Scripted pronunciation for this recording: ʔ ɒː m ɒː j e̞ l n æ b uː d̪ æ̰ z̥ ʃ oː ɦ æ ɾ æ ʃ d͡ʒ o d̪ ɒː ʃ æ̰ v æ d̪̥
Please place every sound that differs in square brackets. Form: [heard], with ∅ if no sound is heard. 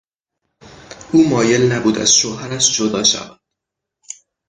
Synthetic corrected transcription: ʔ [uː] m ɒː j e̞ l n æ b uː d̪ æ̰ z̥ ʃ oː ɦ æ ɾ æ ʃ d͡ʒ o d̪ ɒː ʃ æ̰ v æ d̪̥

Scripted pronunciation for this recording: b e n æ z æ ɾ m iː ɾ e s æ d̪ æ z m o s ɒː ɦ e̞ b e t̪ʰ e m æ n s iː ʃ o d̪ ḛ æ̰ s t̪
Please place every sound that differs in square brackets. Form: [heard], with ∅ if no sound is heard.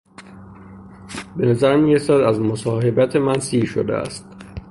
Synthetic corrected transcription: b e n æ z æ ɾ m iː ɾ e s æ d̪ æ z m o s ɒː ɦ e̞ b [æ] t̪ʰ e m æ n s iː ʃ o d̪ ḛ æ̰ s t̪

